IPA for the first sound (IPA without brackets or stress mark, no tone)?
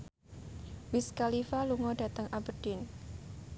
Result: w